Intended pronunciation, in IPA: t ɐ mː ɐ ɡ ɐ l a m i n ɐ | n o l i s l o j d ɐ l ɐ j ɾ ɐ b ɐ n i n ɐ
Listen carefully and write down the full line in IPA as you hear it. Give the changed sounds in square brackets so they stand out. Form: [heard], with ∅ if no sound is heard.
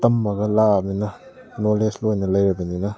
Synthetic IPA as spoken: t ɐ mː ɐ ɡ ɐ l a m i n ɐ | n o l [e] s l o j [n] ɐ l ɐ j ɾ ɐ b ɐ n i n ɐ